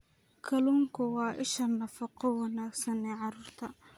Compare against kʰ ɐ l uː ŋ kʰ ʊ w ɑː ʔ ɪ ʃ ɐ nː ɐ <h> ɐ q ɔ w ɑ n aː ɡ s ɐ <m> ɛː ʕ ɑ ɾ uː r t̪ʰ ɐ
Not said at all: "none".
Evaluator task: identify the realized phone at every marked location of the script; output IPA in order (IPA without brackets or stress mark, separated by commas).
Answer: f, n